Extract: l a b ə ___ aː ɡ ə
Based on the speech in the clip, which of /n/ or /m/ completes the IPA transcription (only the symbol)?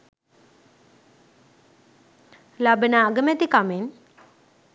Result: n